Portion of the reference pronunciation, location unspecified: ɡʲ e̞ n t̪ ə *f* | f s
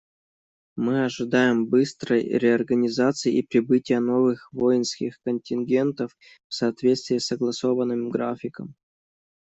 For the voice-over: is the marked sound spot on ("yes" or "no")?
yes